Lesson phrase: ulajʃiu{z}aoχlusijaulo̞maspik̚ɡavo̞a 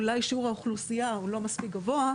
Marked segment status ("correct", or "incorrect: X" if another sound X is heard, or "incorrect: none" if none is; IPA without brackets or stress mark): incorrect: ʁ